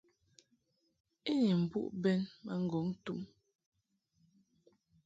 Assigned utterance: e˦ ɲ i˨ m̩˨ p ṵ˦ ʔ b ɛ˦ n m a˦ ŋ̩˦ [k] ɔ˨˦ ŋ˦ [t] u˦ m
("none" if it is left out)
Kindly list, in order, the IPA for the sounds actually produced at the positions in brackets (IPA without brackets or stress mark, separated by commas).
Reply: ɡ, t